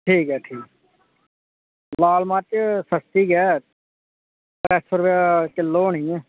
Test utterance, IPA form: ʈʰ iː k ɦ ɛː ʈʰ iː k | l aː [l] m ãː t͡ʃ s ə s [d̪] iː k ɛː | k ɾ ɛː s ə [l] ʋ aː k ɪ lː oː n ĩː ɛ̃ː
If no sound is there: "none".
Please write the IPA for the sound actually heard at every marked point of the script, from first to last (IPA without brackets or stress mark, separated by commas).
l, t̪, ɾ